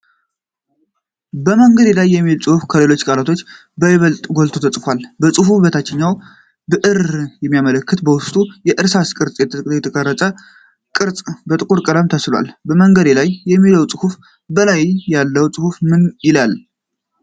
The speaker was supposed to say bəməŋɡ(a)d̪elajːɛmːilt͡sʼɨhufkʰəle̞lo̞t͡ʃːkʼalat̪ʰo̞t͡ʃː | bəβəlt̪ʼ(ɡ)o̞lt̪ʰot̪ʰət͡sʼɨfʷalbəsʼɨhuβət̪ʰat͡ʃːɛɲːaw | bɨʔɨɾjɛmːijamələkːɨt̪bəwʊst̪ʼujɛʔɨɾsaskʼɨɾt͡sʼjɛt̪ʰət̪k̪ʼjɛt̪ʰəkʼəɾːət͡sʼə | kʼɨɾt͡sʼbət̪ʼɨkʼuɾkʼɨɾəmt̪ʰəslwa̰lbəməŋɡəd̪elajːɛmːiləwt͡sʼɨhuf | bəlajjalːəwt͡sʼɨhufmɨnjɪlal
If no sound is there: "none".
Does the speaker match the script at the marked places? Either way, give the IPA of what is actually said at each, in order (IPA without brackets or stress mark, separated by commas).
ə, ɡ